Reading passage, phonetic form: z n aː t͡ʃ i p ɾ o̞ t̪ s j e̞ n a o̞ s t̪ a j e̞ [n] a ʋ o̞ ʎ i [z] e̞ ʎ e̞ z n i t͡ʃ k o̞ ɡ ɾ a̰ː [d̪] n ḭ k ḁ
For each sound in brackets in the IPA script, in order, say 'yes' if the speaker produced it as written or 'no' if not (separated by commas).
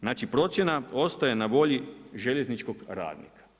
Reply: yes, no, yes